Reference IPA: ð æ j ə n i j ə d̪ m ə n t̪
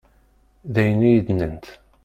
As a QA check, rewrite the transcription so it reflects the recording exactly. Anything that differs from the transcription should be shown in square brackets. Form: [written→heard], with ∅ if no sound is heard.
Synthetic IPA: ð æ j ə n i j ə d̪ [m→n] ə n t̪